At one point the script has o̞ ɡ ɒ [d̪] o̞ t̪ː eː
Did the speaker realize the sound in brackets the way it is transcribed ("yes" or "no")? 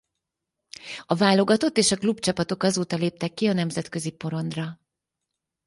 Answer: no